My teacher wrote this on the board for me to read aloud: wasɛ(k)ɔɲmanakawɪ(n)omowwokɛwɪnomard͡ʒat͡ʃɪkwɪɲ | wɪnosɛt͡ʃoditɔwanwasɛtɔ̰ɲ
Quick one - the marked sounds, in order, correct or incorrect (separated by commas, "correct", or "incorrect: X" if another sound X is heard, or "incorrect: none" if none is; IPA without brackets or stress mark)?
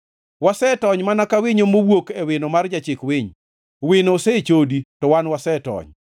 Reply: incorrect: t, incorrect: ɲ